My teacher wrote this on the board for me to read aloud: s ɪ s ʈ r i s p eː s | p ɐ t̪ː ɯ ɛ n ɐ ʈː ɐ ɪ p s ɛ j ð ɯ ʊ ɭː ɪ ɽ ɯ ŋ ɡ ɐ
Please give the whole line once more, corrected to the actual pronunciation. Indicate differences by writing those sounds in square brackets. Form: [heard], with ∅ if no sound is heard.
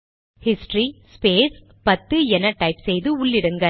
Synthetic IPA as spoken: [h] ɪ s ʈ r i s p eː s | p ɐ t̪ː ɯ ɛ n ɐ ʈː ɐ ɪ p s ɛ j ð ɯ ʊ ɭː ɪ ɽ ɯ ŋ ɡ ɐ